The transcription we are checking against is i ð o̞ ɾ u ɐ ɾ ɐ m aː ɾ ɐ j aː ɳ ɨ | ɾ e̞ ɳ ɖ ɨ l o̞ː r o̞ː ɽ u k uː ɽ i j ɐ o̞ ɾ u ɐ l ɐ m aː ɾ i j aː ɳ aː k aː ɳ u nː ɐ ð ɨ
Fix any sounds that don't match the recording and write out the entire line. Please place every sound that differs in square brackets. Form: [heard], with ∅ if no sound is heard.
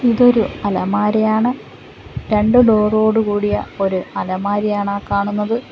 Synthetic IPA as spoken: i ð o̞ ɾ u ɐ [l] ɐ m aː ɾ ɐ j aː ɳ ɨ | ɾ e̞ ɳ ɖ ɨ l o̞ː r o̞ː ɽ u k uː ɽ i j ɐ o̞ ɾ u ɐ l ɐ m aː ɾ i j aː ɳ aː k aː ɳ u nː ɐ ð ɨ